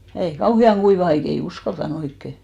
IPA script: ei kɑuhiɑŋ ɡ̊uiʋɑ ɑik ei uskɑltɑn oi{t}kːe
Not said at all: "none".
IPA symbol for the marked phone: none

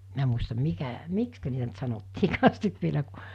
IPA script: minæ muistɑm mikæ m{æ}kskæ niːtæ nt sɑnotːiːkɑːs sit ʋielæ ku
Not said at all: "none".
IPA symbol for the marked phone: i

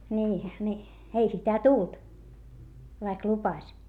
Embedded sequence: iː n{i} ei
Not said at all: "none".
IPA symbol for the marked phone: i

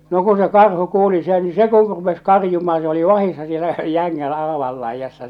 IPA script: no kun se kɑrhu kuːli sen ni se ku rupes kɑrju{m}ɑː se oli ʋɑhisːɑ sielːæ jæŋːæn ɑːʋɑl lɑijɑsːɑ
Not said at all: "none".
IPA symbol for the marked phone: m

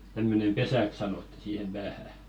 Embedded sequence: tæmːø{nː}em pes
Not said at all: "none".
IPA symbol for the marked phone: n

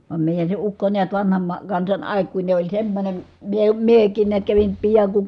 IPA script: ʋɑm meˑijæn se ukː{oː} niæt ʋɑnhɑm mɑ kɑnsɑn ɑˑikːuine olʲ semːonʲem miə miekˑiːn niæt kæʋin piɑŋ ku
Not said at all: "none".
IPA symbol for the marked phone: o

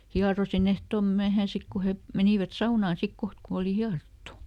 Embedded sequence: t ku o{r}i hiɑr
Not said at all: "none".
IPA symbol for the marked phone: l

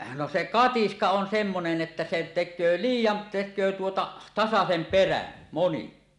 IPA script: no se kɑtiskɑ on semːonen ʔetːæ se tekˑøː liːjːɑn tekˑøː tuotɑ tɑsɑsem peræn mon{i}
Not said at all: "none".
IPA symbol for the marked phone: i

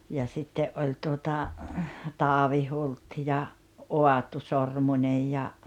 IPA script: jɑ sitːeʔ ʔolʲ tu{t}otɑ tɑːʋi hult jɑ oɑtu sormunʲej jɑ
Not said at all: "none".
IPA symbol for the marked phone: none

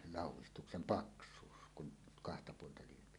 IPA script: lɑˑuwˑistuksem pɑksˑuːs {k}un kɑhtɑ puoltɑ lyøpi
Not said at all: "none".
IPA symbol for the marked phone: k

